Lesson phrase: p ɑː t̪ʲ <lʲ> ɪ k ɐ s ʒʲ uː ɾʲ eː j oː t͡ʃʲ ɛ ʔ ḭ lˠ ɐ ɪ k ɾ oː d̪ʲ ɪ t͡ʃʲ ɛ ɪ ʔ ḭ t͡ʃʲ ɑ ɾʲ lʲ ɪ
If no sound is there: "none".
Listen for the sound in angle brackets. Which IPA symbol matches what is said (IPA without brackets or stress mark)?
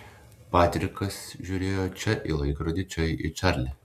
ɾʲ